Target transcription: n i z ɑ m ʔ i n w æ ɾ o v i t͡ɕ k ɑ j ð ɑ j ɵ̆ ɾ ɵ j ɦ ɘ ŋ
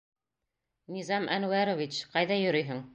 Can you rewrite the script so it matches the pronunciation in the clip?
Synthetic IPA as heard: n i z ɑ m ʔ æ n w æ ɾ o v i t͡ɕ q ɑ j ð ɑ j ɵ̆ ɾ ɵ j ɦ ɘ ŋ